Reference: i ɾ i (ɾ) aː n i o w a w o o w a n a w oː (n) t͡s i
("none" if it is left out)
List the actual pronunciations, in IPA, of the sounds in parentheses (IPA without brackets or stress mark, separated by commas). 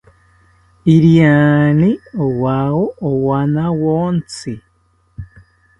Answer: none, n